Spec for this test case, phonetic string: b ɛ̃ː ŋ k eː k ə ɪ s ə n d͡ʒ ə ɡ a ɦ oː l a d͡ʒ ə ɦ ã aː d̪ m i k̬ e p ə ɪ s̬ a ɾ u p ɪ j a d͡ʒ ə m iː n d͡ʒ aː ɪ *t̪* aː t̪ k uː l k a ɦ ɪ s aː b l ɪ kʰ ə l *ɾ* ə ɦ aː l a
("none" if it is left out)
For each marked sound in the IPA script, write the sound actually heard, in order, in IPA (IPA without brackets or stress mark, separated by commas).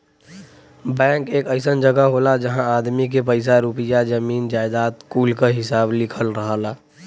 d̪, ɾ